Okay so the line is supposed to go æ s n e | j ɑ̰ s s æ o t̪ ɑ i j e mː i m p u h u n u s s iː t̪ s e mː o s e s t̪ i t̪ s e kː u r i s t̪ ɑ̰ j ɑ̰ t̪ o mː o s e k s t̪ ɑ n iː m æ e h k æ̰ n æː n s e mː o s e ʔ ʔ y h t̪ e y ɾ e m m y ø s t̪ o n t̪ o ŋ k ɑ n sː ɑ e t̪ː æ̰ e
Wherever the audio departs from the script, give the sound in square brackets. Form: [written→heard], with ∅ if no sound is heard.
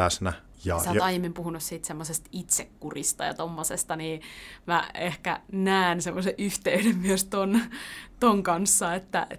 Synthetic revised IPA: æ s n [e→æ] | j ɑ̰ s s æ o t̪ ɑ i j e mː i m p u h u n u s s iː t̪ s e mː o s e s t̪ i t̪ s e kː u r i s t̪ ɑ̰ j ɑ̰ t̪ o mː o s e [k→∅] s t̪ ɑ n iː m æ e h k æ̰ n æː n s e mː o s e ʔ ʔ y h t̪ e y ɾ e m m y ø s t̪ o n t̪ o ŋ k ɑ n sː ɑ e t̪ː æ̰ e